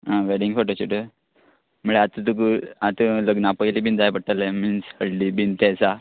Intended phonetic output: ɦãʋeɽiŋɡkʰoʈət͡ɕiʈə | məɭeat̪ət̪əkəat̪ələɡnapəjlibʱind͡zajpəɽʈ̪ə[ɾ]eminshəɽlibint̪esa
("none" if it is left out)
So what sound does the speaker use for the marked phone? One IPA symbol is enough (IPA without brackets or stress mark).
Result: l